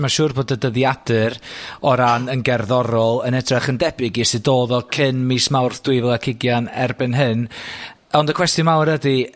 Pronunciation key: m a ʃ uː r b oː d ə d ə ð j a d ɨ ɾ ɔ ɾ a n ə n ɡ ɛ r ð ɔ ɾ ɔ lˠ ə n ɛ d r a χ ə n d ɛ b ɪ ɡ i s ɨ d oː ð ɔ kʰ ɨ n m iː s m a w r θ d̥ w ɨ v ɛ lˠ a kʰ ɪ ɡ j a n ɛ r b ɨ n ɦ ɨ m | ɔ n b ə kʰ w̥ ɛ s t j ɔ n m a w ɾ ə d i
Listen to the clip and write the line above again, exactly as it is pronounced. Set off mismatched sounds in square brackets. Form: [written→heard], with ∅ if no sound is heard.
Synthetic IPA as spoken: m a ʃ uː r b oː d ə d ə ð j a d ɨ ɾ ɔ ɾ a n ə n ɡ ɛ r ð ɔ ɾ ɔ lˠ ə n ɛ d r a χ ə n d ɛ b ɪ ɡ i s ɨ d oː ð ɔ kʰ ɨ n m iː s m a w r θ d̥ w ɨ v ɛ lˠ a kʰ ɪ ɡ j a n ɛ r b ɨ n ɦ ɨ [m→n] | ɔ n [b→d] ə kʰ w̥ ɛ s t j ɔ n m a w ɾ ə d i